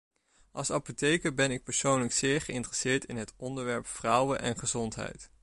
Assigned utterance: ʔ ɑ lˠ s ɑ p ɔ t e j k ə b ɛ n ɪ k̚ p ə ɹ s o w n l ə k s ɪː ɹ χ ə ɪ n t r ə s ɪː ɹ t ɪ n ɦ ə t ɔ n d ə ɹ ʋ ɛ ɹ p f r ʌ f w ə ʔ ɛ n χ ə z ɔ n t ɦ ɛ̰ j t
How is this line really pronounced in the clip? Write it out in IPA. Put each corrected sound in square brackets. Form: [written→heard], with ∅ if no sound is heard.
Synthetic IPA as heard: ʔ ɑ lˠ s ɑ p [ɔ→o] t e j k ə b ɛ n ɪ k̚ p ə ɹ s o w n l ə k s ɪː ɹ χ ə ɪ n t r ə s ɪː ɹ t ɪ n ɦ ə t ɔ n d ə ɹ ʋ ɛ ɹ p f r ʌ [f→∅] w ə ʔ ɛ n χ ə z ɔ n t ɦ ɛ̰ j t